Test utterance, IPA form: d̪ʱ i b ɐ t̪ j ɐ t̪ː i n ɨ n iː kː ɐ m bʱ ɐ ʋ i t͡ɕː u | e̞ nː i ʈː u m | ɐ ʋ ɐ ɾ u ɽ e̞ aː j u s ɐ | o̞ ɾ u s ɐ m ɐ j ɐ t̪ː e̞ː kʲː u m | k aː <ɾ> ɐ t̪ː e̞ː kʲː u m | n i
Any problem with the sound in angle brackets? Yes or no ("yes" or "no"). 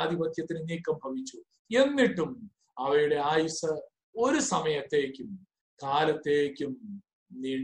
yes